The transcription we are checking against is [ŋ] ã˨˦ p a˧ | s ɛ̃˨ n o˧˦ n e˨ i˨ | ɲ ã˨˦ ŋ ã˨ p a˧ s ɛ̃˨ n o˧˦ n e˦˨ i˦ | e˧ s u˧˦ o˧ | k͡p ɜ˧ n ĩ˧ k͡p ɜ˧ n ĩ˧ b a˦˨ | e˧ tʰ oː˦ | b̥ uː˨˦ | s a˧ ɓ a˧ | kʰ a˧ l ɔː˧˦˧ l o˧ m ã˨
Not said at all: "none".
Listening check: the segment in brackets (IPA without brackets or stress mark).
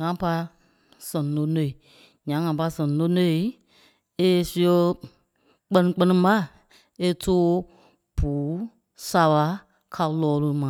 ŋ